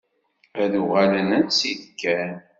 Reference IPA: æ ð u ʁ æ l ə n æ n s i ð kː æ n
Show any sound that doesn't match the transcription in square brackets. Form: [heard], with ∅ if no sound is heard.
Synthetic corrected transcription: æ ð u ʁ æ l ə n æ n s i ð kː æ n